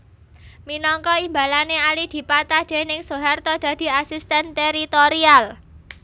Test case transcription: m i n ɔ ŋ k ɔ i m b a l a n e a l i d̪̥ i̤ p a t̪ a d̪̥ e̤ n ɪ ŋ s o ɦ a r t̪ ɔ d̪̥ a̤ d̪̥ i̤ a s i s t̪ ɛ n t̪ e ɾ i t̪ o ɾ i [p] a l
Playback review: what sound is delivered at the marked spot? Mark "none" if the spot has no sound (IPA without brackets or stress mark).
none